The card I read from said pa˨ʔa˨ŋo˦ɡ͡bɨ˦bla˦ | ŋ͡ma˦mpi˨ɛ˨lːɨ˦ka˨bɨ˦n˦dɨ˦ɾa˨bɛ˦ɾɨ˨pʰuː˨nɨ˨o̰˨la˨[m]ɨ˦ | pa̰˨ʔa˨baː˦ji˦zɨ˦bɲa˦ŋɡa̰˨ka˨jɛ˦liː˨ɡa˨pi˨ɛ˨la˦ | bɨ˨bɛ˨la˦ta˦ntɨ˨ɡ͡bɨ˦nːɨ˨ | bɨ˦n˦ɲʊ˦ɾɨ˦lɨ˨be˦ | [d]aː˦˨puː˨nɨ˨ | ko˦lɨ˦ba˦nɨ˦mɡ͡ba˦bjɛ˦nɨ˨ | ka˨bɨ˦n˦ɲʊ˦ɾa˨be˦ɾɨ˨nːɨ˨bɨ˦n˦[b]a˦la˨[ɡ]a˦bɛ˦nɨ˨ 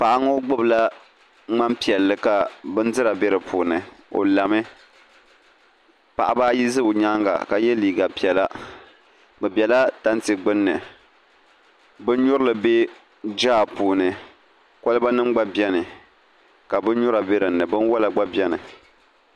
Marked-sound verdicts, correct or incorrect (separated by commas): correct, incorrect, incorrect, incorrect